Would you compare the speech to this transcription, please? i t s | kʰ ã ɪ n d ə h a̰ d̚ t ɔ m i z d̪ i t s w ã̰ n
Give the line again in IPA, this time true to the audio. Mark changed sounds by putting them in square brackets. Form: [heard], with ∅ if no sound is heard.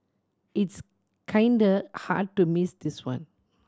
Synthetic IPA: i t s | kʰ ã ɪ n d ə h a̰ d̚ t [u] m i [s] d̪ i [∅] s w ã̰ n

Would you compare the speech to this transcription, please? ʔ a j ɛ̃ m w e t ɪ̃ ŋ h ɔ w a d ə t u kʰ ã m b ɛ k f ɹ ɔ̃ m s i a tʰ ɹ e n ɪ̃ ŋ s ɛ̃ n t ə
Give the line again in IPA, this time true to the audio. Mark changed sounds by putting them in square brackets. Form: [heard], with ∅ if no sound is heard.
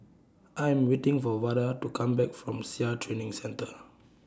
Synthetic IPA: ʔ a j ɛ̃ m w e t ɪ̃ ŋ [f] ɔ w a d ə t u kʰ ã m b ɛ k f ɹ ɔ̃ m s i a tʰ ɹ e n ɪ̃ ŋ s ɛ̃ n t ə

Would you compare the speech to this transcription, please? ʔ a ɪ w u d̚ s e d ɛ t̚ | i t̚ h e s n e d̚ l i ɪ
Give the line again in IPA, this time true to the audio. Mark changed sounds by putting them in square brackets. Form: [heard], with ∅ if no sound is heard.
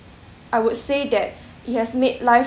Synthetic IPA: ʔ a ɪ w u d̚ s e d ɛ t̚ | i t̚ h [ɛ] s [m] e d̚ l [a] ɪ

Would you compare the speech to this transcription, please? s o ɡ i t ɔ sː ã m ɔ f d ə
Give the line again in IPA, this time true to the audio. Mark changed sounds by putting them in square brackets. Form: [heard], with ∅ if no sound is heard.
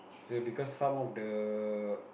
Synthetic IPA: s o [b] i [k] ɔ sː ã m ɔ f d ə

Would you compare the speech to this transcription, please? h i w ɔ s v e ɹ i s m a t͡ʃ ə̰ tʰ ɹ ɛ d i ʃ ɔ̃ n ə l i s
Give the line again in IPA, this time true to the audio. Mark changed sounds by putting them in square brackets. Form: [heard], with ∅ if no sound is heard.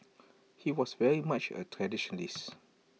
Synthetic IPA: h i w ɔ s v [ɛ] ɹ i [∅] m a t͡ʃ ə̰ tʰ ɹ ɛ d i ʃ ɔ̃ n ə l i s

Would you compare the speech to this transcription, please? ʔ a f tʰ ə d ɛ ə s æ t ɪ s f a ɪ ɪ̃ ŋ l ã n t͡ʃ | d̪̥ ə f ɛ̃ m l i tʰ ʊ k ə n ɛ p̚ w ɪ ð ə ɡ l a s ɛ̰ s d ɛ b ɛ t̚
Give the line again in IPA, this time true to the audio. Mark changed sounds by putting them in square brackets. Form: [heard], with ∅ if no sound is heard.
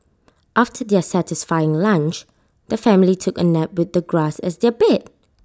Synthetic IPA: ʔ a f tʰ ə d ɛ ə s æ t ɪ s f a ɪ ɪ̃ ŋ l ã n t͡ʃ | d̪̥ ə f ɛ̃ m l i tʰ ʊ k ə n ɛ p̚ w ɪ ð ə ɡ [ɹ] a s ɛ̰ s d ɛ b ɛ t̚

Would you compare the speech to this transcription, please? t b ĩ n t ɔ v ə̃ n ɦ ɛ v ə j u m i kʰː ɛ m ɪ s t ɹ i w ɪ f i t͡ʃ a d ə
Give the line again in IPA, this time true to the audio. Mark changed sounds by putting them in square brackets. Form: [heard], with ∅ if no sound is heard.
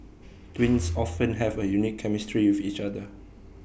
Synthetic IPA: t [w] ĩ n [s] ɔ [f] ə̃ n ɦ ɛ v ə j u [n] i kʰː ɛ m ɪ s t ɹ i w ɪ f i t͡ʃ a d ə

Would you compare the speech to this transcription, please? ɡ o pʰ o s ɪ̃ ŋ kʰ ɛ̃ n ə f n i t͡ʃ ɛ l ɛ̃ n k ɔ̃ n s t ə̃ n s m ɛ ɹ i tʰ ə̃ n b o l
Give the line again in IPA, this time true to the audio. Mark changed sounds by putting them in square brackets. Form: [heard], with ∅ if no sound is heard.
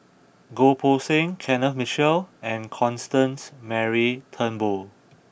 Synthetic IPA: ɡ o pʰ o s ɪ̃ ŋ kʰ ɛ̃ n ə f [m] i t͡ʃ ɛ l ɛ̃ n [kʰ] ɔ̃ n s t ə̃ n s m ɛ ɹ i tʰ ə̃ n b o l

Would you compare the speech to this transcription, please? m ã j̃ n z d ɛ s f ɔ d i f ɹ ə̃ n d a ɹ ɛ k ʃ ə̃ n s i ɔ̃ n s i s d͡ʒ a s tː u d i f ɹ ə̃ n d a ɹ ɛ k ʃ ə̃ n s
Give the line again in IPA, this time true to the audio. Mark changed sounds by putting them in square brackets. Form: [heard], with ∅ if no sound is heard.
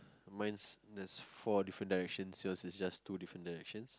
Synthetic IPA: m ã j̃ n [s] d ɛ s f ɔ d i f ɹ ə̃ n d a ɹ ɛ k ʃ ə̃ n s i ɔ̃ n s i s d͡ʒ a s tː u d i f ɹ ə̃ n d a ɹ ɛ k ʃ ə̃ n s

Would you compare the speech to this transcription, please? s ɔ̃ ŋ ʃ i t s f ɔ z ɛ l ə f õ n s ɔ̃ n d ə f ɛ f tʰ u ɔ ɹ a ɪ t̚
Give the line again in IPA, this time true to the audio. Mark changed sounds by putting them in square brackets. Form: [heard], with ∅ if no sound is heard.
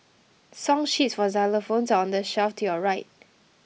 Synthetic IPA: s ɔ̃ ŋ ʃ i t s f ɔ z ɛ l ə f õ n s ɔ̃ n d ə [ʃ] ɛ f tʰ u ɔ ɹ a ɪ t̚

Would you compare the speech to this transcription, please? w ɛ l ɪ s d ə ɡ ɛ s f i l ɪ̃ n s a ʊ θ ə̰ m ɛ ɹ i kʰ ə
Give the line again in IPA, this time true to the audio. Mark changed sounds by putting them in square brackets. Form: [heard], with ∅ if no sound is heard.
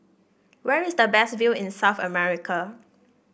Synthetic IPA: w ɛ [ɹ] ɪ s d ə [b] ɛ s [v] i l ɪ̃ n s a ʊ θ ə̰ m ɛ ɹ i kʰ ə

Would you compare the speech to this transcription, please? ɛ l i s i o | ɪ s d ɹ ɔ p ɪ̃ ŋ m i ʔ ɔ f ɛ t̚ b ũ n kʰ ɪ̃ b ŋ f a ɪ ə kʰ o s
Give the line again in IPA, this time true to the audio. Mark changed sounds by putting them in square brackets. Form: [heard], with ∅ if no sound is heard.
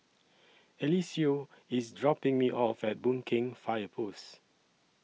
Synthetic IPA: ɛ l i s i o | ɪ s d ɹ ɔ p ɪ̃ ŋ m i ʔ ɔ f ɛ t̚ b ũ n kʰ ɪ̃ [∅] ŋ f a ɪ ə [pʰ] o s

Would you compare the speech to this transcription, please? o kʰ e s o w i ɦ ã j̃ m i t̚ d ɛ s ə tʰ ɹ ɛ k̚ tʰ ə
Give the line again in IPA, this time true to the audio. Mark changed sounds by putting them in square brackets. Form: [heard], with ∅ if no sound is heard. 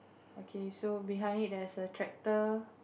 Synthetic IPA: o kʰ e s o [b] i ɦ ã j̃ [n] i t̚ d ɛ s ə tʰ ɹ ɛ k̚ [t] ə

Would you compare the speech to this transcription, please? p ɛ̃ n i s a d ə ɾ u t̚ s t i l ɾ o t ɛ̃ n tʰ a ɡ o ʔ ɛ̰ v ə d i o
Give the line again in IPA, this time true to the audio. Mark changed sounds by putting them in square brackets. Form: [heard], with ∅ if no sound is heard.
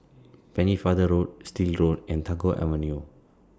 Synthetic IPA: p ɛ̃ n i [f] a d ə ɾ [o] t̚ s t i l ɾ o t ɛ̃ n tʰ a ɡ o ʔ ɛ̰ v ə [n] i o

